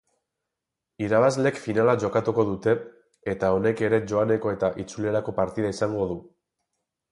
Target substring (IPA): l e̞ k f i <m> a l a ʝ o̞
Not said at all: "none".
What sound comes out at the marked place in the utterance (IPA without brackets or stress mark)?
n